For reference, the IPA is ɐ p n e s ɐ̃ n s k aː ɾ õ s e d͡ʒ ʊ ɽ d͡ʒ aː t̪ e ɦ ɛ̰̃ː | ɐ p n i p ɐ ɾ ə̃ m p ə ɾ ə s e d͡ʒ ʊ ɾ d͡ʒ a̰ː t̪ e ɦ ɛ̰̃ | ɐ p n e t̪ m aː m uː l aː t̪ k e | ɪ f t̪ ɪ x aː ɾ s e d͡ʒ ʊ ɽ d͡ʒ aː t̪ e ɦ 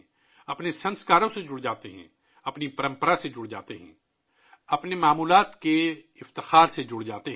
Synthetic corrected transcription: ɐ p n e s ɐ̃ n s k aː ɾ õ s e d͡ʒ ʊ ɽ d͡ʒ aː t̪ e ɦ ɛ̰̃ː | ɐ p n i p ɐ ɾ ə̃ m p ə ɾ a s e d͡ʒ ʊ ɽ d͡ʒ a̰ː t̪ e ɦ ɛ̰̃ | ɐ p n e m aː m uː l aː t̪ k e | ɪ f t̪ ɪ x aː ɾ s e d͡ʒ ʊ ɽ d͡ʒ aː t̪ e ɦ